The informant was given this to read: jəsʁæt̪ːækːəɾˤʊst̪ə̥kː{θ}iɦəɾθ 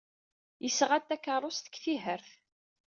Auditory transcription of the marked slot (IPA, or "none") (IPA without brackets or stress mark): θ